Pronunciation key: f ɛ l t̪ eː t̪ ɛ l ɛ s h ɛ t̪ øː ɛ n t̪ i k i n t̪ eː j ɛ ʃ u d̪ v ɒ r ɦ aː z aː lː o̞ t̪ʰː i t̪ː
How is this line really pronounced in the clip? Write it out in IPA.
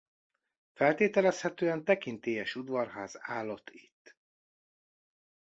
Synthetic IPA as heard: f ɛ l t̪ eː t̪ ɛ l ɛ s h ɛ t̪ øː ɛ n t̪ ɛ k i n t̪ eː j ɛ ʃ u d̪ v ɒ r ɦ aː z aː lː o̞ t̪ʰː i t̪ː